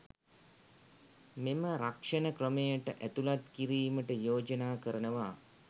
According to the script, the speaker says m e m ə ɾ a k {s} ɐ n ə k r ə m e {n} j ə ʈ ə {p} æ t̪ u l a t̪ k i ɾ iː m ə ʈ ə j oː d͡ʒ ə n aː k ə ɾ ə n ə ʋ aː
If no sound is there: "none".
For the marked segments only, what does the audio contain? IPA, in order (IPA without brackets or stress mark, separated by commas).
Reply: ʂ, none, ʔ